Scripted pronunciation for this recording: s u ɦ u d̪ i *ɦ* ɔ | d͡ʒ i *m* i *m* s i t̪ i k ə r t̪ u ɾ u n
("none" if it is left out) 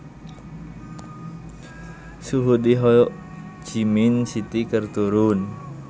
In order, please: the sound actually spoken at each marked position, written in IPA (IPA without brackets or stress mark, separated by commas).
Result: ɦ, m, n